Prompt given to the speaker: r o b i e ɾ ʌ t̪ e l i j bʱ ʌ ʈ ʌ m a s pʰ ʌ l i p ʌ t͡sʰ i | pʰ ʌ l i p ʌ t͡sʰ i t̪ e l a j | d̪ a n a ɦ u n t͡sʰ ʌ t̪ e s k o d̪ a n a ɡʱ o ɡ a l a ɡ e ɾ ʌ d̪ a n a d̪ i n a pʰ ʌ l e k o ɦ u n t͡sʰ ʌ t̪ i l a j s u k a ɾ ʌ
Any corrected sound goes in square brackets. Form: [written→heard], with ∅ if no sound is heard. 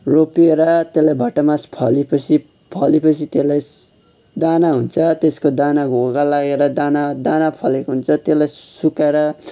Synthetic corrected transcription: r o [b→p] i e ɾ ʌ t̪ e l [i→a] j bʱ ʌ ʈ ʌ m a s pʰ ʌ l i p ʌ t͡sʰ i | pʰ ʌ l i p ʌ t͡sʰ i t̪ e l a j | d̪ a n a ɦ u n t͡sʰ ʌ t̪ e s k o d̪ a n a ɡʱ o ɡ a l a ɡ e ɾ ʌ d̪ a n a d̪ [i→a] n a pʰ ʌ l e k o ɦ u n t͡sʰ ʌ t̪ [i→e] l a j s u k a ɾ ʌ